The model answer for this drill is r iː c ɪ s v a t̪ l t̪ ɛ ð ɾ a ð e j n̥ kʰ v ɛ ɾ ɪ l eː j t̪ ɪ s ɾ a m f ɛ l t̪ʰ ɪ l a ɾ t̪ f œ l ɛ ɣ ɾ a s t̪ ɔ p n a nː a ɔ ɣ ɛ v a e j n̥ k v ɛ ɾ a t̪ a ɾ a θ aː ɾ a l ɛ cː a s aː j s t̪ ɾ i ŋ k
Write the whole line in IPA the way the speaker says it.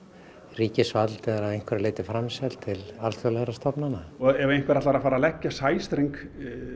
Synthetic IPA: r iː c ɪ s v a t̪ l t̪ ɛ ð ɾ a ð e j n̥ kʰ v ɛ ɾ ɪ l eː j t̪ ɪ f ɾ a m s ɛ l t̪ʰ ɪ l a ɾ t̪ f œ l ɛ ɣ ɾ a s t̪ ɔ p n a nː a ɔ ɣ ɛ v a e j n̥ k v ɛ ɾ a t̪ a ɾ a f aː ɾ a l ɛ cː a s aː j s t̪ ɾ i ŋ k